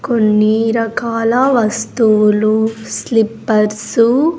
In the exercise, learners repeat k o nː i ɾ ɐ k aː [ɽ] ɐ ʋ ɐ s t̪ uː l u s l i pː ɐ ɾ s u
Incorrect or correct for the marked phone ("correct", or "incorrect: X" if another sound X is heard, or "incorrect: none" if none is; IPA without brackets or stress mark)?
incorrect: l